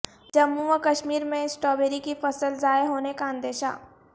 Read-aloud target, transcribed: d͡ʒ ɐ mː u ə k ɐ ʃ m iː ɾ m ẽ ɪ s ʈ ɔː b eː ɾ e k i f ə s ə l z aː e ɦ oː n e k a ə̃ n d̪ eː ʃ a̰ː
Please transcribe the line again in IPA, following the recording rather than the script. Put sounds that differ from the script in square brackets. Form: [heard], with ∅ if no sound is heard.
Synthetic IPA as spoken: d͡ʒ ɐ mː u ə k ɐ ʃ m iː ɾ m ẽ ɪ s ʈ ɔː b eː ɾ [i] k i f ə s ə l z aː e ɦ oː n e k a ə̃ n d̪ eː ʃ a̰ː